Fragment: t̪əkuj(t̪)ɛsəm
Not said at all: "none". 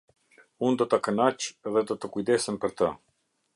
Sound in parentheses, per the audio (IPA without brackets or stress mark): d̪